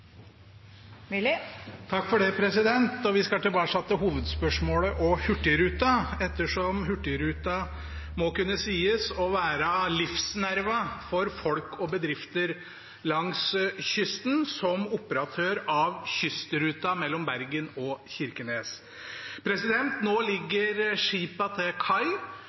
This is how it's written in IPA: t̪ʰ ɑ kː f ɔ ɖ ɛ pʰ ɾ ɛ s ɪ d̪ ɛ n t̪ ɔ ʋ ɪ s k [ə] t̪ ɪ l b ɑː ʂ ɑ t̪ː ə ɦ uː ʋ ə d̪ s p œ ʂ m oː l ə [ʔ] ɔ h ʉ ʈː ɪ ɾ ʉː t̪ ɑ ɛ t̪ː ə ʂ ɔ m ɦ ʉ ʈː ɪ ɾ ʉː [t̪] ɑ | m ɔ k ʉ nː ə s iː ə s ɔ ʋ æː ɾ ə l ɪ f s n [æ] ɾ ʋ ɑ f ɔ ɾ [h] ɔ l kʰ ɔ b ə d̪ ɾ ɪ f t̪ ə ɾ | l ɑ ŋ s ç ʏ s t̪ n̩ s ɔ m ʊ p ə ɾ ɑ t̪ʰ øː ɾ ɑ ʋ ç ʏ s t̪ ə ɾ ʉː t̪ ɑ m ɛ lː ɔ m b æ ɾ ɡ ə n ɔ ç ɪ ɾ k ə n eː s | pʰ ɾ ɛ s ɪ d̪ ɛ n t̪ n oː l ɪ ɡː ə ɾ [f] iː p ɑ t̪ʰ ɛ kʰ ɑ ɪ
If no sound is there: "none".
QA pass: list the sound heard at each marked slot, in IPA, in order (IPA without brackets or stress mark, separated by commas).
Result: ɑ, ʔ, t̪, æ, f, ʂ